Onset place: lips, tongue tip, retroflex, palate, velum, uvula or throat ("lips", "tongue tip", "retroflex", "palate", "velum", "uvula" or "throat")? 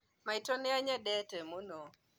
lips